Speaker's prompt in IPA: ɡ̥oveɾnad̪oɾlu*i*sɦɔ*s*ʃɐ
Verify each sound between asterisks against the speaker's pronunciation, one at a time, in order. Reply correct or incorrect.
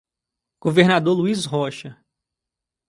correct, incorrect: none

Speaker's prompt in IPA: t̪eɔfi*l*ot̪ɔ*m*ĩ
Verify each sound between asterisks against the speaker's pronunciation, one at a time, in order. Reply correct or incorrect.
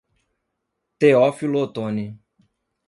correct, incorrect: n

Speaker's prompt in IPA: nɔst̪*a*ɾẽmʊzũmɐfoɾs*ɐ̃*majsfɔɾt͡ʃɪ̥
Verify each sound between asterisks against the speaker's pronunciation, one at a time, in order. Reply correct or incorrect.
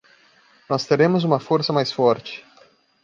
incorrect: e, incorrect: ɐ

